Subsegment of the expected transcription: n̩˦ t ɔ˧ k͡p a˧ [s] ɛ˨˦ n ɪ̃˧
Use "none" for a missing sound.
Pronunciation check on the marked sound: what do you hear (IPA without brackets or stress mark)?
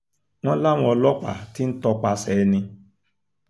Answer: s